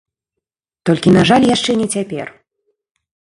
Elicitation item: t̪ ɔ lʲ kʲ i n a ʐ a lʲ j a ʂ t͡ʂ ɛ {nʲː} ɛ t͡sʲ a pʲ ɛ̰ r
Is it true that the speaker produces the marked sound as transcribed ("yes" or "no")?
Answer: no